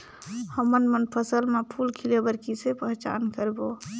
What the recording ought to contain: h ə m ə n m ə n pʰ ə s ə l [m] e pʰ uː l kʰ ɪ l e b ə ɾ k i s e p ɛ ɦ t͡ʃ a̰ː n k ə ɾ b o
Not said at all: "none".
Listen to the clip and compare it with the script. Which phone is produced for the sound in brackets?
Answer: m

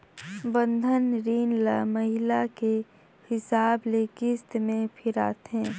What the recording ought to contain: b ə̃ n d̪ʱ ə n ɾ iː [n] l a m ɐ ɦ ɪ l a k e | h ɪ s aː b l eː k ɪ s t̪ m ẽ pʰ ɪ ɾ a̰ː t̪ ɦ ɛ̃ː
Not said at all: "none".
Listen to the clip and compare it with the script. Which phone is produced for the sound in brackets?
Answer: n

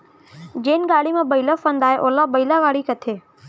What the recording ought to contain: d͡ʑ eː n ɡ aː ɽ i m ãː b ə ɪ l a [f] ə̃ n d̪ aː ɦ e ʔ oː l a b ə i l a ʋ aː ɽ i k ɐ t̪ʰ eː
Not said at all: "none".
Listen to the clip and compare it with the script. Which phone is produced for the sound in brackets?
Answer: f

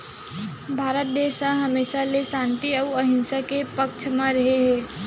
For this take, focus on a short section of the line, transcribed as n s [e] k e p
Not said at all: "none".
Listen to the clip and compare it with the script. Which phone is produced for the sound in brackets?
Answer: a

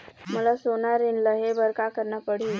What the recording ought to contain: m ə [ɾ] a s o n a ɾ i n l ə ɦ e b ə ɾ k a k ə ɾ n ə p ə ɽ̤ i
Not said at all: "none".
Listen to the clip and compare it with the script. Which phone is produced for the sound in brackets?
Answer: l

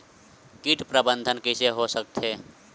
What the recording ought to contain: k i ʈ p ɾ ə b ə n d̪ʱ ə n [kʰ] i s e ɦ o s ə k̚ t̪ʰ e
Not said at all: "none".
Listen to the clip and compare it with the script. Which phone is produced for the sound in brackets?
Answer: k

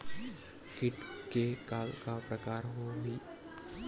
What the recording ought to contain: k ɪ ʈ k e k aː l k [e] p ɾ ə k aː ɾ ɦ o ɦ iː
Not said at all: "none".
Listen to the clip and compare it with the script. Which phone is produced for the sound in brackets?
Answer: a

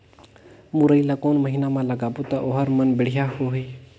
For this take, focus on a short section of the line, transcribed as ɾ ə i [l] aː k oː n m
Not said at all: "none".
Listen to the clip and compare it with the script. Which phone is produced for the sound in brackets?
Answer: l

